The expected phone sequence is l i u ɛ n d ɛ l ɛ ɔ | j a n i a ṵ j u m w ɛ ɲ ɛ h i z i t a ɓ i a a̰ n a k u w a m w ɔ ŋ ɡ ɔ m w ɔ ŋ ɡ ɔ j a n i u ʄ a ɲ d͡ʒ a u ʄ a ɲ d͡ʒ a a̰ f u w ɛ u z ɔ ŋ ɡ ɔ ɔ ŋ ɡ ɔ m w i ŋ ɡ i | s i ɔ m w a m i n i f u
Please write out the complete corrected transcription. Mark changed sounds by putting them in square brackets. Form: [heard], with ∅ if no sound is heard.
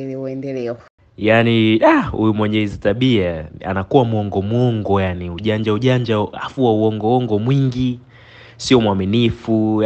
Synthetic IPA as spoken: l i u ɛ n d ɛ l ɛ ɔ | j a n i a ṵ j u m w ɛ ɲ ɛ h i z i t a ɓ i a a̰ n a k u w a m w ɔ ŋ ɡ ɔ m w ɔ ŋ ɡ ɔ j a n i u ʄ a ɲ d͡ʒ a u ʄ a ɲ d͡ʒ a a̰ f u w [a] u [∅] ɔ ŋ ɡ ɔ ɔ ŋ ɡ ɔ m w i ŋ ɡ i | s i ɔ m w a m i n i f u